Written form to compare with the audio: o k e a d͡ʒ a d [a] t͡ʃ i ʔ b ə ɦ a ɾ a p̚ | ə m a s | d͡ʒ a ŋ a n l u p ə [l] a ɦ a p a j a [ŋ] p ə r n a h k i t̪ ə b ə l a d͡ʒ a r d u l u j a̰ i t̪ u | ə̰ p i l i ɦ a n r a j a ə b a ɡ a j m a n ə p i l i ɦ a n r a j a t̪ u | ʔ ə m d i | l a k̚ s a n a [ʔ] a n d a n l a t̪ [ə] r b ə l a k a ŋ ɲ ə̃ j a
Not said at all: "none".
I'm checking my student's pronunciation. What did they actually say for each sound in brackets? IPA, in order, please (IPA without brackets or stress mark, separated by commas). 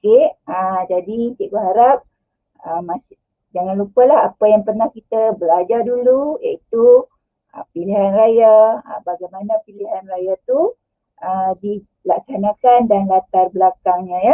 i, l, ŋ, k, a